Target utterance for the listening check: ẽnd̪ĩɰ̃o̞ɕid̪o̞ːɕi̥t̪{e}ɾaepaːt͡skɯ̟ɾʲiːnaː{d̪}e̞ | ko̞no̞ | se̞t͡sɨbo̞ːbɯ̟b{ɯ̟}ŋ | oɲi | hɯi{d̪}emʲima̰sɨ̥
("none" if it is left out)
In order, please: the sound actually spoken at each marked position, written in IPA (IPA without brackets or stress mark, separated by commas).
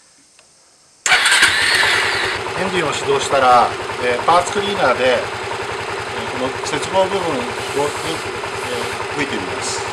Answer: a, d̪, ɯ̟̃, t̪